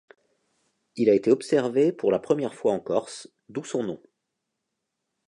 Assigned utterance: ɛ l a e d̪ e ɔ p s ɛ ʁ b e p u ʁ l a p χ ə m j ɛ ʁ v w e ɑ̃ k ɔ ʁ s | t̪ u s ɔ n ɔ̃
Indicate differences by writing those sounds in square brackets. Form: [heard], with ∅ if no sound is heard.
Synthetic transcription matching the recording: [i] l a e [t̪] e ɔ p s ɛ ʁ [v] e p u ʁ l a p χ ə m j ɛ ʁ [f] w [a] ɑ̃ k ɔ ʁ s | [d̪] u s [ɔ̃] n ɔ̃